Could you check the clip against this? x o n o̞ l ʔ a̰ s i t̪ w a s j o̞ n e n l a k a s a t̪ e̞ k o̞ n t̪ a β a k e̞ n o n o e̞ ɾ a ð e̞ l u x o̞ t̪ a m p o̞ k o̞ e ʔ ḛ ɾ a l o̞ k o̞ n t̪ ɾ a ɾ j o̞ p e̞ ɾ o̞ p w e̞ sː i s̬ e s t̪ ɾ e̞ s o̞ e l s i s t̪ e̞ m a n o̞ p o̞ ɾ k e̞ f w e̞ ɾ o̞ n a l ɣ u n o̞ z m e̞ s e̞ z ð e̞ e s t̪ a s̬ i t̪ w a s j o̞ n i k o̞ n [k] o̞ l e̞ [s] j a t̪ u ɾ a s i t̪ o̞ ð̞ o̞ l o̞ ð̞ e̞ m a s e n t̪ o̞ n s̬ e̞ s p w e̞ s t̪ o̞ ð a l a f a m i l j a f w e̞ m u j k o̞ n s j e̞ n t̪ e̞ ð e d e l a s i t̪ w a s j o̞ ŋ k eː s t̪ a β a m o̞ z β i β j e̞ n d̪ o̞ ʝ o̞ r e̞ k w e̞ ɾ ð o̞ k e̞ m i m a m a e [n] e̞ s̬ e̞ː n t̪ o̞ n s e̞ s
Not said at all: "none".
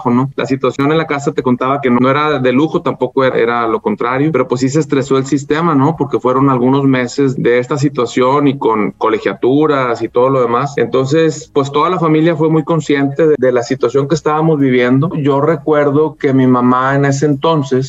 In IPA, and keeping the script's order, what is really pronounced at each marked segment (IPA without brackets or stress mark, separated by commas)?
k, x, n